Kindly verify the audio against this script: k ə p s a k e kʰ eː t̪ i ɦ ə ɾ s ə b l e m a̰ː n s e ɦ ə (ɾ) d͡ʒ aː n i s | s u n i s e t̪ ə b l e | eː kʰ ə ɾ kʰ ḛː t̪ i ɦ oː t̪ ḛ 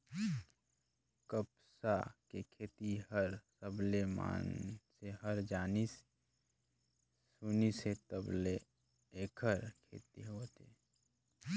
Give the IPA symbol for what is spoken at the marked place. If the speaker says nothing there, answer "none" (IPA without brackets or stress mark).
ɾ